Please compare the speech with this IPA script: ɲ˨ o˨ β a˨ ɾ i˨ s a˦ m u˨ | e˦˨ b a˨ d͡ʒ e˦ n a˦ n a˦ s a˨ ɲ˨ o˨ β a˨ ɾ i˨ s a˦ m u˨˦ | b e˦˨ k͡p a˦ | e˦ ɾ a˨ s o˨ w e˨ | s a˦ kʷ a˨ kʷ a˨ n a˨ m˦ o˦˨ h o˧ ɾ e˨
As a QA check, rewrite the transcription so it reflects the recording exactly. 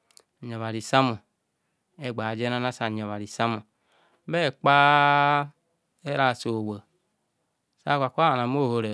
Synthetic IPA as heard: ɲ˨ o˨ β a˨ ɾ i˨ s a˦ m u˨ | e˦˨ ɡ͡b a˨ d͡ʒ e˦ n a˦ n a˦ s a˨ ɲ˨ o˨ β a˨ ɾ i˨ s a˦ m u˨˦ | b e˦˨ k͡p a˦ | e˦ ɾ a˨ s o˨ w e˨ | s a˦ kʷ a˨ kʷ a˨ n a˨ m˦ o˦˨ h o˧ ɾ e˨